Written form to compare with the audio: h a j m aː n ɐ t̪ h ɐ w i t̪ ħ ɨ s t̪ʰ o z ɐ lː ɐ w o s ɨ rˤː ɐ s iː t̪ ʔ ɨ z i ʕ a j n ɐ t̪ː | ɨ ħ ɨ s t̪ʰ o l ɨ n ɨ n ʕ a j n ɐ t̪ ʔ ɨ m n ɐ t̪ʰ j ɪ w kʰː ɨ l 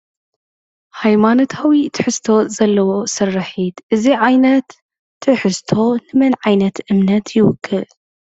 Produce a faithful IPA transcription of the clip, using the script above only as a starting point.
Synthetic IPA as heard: h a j m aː n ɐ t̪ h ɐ w i t̪ ħ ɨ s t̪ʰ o z ɐ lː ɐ w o s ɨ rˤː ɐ ħ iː t̪ ʔ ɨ z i ʕ a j n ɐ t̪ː | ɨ ħ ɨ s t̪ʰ o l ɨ m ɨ n ʕ a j n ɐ t̪ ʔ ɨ m n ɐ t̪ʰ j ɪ w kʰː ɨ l